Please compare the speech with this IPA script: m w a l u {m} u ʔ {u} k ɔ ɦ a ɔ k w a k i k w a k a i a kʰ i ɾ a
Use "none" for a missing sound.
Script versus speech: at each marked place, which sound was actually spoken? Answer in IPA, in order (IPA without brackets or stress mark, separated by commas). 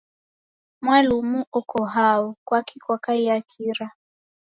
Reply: m, ɔ